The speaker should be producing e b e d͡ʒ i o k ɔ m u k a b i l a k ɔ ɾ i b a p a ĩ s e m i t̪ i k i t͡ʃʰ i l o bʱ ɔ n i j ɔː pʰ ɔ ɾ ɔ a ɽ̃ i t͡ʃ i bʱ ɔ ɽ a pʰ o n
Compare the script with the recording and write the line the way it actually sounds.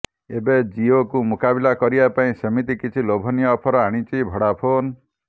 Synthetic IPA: e b e d͡ʒ i o k u m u k a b i l a k ɔ ɾ i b a p a ĩ s e m i t̪ i k i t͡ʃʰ i l o bʱ ɔ n i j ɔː pʰ ɔ ɾ ɔ a ɽ̃ i t͡ʃ i bʱ ɔ ɽ a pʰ o n